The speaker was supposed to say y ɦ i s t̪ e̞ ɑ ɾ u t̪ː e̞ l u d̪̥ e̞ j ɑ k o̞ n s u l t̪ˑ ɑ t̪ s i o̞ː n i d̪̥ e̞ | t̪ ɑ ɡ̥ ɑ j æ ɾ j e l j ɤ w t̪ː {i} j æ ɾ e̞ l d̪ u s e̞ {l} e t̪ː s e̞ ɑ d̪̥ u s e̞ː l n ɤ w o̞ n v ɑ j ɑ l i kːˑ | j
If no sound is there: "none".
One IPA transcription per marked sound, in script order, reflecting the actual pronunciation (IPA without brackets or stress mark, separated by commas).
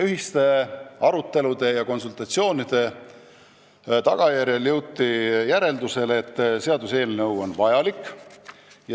i, l